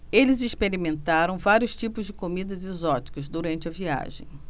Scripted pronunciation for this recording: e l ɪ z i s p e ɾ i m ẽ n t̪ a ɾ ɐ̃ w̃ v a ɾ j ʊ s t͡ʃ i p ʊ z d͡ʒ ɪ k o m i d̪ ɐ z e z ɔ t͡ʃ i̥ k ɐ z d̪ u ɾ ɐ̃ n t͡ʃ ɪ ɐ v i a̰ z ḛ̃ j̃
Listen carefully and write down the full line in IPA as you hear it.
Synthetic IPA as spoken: e l ɪ z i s p e ɾ i m ẽ n t̪ a ɾ ɐ̃ w̃ v a ɾ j ʊ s t͡ʃ i p ʊ z d͡ʒ ɪ k o m i d̪ ɐ z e z ɔ t͡ʃ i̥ k ɐ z d̪ u ɾ ɐ̃ n t͡ʃ ɪ ɐ v i a̰ ʒ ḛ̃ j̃